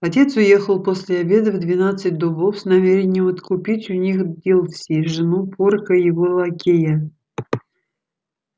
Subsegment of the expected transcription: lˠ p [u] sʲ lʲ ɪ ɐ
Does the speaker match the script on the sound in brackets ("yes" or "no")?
no